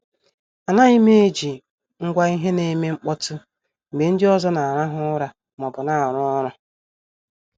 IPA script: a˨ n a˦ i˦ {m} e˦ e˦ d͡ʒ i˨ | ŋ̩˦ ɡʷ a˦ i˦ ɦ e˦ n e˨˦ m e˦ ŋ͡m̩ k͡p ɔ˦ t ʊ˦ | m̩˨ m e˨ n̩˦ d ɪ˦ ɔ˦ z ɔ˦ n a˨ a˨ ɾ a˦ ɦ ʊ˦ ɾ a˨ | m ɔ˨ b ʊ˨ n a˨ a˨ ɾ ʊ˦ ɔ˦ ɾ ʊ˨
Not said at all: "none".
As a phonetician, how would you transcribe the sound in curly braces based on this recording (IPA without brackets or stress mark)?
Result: m